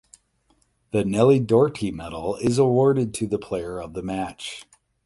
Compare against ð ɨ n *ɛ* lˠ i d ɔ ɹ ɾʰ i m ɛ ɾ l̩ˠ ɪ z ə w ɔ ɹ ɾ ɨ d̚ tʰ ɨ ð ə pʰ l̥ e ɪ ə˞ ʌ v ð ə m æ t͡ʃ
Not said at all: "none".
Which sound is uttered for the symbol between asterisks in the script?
ɛ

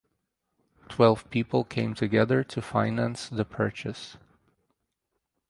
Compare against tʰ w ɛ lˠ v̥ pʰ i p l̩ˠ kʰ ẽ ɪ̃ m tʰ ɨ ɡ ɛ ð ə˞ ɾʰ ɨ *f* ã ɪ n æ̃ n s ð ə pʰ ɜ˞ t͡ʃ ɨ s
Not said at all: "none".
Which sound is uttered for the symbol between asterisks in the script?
f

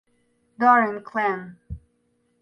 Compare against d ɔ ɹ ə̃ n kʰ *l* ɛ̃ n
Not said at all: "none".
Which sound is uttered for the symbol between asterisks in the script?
l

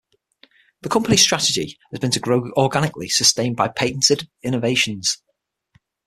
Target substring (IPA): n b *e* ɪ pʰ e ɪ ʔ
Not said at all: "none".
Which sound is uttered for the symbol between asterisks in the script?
a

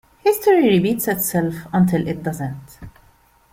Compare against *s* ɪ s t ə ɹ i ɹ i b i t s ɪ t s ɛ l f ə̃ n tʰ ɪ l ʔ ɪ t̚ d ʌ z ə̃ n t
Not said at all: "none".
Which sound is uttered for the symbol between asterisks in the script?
h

